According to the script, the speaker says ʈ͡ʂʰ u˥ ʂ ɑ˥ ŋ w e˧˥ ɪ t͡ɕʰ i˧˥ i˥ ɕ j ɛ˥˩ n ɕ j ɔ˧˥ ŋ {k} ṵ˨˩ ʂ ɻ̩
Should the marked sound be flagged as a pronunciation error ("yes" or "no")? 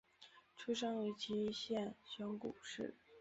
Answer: no